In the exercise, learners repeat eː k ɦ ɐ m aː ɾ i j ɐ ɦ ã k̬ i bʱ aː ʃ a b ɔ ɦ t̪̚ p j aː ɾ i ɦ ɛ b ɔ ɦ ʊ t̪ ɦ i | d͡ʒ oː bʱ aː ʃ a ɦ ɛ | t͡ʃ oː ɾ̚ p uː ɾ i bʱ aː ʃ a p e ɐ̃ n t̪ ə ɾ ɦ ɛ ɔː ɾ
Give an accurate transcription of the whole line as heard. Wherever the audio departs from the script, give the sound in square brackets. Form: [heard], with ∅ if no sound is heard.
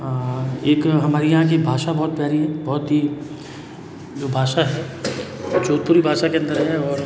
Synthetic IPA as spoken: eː k ɦ ɐ m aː ɾ i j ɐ ɦ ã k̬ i bʱ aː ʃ a b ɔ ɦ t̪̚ p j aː ɾ i ɦ ɛ b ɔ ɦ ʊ t̪ ɦ i | d͡ʒ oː bʱ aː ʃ a ɦ ɛ | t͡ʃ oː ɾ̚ p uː ɾ i bʱ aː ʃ a [k] e ɐ̃ n [d̪] ə ɾ ɦ ɛ ɔː ɾ